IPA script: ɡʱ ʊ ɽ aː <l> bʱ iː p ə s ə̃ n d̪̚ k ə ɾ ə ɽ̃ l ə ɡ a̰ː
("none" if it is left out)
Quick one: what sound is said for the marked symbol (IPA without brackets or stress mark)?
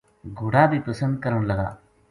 none